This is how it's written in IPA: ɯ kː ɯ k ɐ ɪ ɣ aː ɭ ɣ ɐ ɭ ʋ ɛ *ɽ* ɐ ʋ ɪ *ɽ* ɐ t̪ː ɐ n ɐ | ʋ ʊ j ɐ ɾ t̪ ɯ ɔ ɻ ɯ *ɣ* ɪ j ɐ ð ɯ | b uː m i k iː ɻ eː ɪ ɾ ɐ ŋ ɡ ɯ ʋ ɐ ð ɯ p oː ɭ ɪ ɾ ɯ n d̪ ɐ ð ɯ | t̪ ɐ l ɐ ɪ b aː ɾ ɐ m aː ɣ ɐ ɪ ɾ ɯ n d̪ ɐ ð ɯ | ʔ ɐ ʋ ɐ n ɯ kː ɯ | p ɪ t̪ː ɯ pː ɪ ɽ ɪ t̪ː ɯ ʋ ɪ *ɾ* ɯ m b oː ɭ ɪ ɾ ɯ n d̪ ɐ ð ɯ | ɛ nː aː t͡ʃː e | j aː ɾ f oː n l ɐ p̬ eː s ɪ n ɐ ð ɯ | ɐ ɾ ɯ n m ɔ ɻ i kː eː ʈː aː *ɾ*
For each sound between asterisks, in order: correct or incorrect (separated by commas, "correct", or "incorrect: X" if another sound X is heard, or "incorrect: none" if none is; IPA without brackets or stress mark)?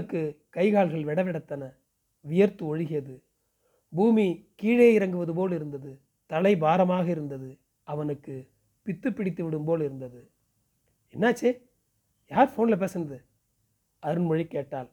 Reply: correct, correct, correct, incorrect: ɽ, incorrect: l